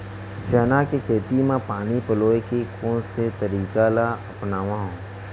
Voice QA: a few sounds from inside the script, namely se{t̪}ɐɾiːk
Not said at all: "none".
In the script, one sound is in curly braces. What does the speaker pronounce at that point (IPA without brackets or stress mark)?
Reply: t̪